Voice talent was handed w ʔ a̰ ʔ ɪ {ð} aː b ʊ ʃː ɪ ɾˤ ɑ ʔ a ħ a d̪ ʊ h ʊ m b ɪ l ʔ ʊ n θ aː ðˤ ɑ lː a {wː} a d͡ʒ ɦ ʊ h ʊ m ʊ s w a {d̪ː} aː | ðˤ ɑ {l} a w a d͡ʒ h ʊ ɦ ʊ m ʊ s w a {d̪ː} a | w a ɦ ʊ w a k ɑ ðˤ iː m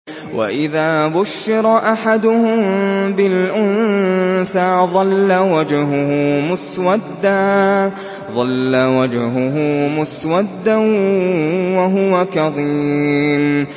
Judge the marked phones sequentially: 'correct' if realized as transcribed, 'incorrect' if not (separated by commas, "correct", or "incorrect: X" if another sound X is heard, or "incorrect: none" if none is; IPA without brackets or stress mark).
correct, incorrect: w, correct, incorrect: lː, correct